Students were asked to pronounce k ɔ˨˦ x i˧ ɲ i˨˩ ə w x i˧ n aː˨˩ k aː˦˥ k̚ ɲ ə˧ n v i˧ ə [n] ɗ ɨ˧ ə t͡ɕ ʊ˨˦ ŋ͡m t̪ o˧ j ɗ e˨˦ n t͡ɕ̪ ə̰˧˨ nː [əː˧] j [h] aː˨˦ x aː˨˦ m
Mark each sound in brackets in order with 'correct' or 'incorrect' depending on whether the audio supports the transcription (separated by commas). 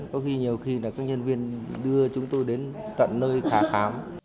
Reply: correct, correct, incorrect